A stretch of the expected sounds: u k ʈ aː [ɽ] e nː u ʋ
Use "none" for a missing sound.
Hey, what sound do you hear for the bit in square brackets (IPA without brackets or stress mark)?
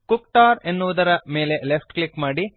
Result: ɾ